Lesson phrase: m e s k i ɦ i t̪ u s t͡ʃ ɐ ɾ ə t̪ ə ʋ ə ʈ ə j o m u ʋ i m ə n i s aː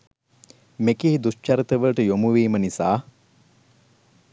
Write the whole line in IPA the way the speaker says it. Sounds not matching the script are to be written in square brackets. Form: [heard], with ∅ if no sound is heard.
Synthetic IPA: m e [∅] k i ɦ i [d̪] u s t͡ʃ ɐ ɾ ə t̪ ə ʋ ə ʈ ə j o m u ʋ [iː] m ə n i s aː

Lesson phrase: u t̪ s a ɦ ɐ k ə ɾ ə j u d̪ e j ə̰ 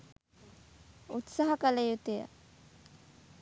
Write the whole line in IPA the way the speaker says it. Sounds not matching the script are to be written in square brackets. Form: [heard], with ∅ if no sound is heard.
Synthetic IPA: u t̪ s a ɦ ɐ k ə [l] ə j u [t̪] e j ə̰

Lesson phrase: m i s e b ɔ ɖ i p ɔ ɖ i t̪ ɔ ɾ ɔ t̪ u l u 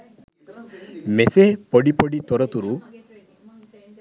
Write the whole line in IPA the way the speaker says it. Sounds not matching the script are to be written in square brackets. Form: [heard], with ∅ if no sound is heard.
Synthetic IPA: m [e] s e [p] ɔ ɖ i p ɔ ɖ i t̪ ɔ ɾ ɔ t̪ u [ɾ] u

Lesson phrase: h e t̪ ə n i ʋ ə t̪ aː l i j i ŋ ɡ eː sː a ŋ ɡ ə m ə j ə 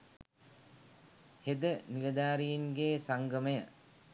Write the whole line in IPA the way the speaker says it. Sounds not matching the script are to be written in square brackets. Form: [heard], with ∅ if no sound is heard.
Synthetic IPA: h e [d̪] ə n i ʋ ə [d̪] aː [ɾ] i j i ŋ ɡ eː [s] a ŋ ɡ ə m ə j ə

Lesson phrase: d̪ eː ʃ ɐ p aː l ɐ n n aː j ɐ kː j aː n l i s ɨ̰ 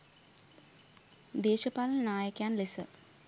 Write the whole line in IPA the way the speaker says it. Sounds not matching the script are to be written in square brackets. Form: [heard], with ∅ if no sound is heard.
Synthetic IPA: d̪ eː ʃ ɐ p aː l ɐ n n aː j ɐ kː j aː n l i s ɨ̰

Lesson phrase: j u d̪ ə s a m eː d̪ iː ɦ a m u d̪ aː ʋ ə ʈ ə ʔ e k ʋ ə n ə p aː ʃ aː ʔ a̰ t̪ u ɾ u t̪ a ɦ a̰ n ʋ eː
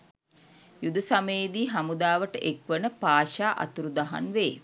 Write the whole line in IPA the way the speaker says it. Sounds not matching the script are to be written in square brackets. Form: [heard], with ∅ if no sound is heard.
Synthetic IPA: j u d̪ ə s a m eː d̪ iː ɦ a m u d̪ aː ʋ ə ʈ ə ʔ e k ʋ ə n ə p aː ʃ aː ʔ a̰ t̪ u ɾ u [d̪] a ɦ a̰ n ʋ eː

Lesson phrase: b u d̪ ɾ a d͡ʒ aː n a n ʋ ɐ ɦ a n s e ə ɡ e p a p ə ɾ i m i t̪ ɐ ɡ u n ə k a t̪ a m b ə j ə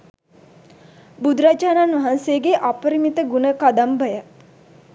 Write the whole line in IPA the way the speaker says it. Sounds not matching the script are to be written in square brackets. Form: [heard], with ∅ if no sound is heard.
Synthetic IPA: b u d̪ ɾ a d͡ʒ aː n a n ʋ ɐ ɦ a n s e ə ɡ e [ʔ] a p ə ɾ i m i t̪ [ə] ɡ u n ə k a [d̪] a m b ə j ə

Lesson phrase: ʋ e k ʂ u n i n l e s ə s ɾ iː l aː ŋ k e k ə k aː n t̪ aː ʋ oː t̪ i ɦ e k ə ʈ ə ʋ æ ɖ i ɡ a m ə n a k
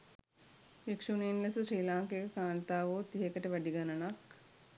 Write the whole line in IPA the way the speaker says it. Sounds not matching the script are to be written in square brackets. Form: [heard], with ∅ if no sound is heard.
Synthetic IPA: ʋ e k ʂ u n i n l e s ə s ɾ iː l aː ŋ k e k ə k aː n t̪ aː ʋ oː t̪ i ɦ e k ə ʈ ə ʋ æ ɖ i ɡ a [n] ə n a k

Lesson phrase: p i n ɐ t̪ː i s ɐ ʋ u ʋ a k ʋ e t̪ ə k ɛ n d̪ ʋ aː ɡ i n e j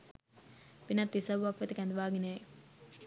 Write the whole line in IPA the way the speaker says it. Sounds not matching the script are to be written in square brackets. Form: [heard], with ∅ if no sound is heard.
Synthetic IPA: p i n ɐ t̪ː i s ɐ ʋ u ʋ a k ʋ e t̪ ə k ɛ n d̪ ʋ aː ɡ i n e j

